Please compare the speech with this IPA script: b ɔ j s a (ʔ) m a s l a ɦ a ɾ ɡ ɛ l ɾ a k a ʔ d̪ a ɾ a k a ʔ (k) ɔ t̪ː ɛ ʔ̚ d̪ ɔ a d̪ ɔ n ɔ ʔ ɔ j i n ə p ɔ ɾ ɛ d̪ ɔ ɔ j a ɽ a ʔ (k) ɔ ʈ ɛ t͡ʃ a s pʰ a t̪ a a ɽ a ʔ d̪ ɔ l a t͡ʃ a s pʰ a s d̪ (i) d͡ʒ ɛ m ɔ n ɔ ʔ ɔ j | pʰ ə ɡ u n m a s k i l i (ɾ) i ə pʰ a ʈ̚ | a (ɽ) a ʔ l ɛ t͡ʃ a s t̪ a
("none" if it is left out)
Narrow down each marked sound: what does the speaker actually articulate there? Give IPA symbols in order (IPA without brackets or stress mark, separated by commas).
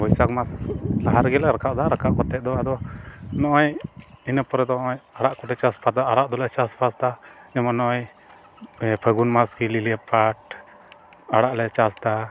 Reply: k, k, k, a, l, ɽ